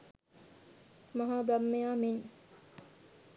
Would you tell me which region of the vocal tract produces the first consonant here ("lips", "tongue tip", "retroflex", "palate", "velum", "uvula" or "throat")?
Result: lips